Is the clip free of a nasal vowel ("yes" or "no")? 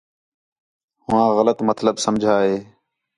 no